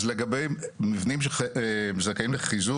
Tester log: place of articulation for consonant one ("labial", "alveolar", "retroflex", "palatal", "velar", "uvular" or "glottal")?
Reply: alveolar